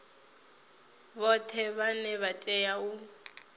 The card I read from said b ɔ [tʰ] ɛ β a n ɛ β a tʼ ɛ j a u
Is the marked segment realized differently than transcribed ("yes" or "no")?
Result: no